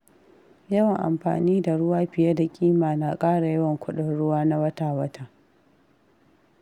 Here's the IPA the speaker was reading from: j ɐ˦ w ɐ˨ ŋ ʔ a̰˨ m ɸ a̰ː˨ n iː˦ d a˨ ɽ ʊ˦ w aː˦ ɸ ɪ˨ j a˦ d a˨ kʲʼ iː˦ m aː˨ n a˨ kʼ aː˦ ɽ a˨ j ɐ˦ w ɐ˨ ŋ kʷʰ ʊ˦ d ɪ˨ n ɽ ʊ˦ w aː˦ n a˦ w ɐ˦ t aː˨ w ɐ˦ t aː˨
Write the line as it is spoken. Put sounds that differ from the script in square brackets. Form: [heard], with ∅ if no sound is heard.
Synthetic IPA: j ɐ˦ w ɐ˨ ŋ ʔ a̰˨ m ɸ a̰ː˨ n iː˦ d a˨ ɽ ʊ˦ w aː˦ ɸ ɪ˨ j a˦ d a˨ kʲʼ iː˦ m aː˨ n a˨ kʼ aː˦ ɽ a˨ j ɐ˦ w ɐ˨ ŋ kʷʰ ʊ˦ [ɗ] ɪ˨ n ɽ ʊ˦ w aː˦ n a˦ w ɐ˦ t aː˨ w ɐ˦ t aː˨